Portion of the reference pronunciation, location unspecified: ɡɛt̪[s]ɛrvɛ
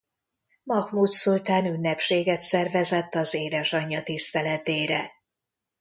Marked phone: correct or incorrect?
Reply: correct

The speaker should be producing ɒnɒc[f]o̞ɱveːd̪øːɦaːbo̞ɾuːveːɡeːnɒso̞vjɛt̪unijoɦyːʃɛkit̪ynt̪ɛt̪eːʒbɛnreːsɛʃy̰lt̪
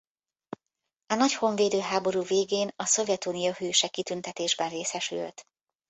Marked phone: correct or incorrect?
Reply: incorrect: h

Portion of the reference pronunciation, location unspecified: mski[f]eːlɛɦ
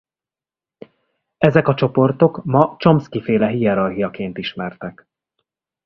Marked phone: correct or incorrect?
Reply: correct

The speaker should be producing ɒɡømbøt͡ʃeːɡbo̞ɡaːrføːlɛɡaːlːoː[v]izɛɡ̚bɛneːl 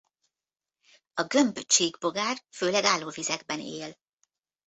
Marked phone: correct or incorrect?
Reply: correct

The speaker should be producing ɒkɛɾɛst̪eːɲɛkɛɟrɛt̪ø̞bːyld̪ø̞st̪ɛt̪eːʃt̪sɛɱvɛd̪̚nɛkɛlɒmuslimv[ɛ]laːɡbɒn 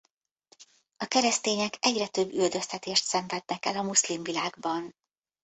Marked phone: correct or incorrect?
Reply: incorrect: i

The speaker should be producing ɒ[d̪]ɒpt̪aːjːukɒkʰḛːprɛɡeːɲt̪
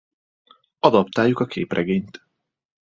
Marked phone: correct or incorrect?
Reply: correct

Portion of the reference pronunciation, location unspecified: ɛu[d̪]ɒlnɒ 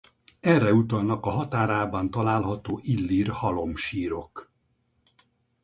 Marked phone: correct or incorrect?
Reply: incorrect: t̪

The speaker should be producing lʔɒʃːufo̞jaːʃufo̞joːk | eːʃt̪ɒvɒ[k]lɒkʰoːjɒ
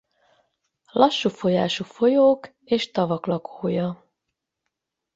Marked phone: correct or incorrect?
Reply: correct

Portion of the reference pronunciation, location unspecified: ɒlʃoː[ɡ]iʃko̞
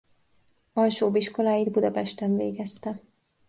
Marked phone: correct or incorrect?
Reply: incorrect: b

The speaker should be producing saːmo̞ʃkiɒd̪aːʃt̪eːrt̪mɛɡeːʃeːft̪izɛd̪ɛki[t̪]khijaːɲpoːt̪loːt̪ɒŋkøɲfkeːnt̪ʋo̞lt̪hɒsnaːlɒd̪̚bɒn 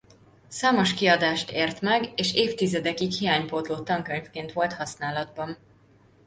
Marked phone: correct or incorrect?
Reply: incorrect: none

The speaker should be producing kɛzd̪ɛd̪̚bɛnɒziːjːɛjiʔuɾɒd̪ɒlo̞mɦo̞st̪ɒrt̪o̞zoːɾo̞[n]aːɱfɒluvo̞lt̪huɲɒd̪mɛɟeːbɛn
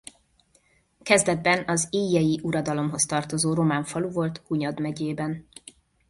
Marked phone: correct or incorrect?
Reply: incorrect: m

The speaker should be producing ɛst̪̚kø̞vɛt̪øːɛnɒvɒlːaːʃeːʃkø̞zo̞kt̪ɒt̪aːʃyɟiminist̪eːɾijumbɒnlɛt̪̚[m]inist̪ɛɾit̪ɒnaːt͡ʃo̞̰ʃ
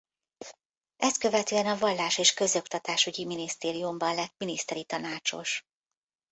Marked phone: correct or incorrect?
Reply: correct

